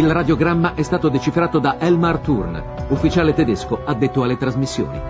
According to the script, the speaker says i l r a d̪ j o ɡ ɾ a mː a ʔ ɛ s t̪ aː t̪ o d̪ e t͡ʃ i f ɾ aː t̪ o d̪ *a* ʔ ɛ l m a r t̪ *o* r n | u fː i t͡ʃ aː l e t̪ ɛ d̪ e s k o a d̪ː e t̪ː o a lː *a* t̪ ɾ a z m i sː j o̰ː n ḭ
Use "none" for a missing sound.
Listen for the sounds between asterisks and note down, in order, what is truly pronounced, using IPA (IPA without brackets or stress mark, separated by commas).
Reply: a, u, e